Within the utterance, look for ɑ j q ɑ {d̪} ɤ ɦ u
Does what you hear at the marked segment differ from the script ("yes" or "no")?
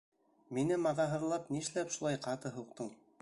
yes